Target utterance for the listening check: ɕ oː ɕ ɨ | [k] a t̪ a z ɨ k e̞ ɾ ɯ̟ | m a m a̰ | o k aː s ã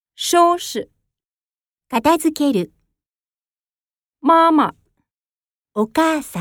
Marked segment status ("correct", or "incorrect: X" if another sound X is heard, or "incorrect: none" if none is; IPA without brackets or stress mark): correct